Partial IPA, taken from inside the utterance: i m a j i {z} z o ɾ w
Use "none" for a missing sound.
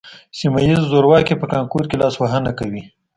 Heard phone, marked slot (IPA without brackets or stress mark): z